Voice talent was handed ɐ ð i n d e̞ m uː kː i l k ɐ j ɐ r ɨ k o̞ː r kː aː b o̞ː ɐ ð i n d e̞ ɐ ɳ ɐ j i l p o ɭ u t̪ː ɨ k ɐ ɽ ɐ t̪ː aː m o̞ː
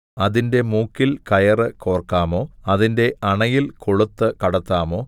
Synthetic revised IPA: ɐ ð i n d e̞ m uː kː i l k ɐ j ɐ r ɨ k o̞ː r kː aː m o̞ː ɐ ð i n d e̞ ɐ ɳ ɐ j i l k o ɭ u t̪ː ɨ k ɐ ɽ ɐ t̪ː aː m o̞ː